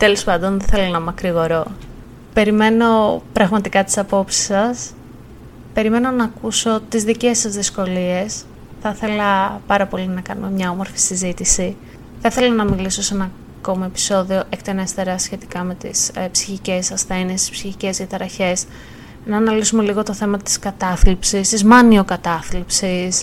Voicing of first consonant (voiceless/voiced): voiceless